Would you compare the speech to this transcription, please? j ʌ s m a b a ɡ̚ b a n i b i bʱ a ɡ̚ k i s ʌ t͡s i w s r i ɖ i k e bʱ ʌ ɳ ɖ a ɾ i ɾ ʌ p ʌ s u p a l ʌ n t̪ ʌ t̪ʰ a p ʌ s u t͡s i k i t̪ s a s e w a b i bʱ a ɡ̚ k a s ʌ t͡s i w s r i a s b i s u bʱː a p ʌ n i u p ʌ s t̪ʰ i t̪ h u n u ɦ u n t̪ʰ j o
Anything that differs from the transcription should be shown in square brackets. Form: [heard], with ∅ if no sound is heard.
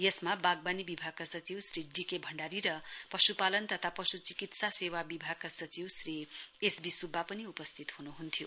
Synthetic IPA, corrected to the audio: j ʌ s m a b a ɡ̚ b a n i b i bʱ a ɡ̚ k [a] s ʌ t͡s i w s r i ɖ i k e bʱ ʌ ɳ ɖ a ɾ i ɾ ʌ p ʌ s u p a l ʌ n t̪ ʌ t̪ʰ a p ʌ s u t͡s i k i t̪ s a s e w a b i bʱ a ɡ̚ k a s ʌ t͡s i w s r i [e] s b i s u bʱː a p ʌ n i u p ʌ s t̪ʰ i t̪ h u n u ɦ u n t̪ʰ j o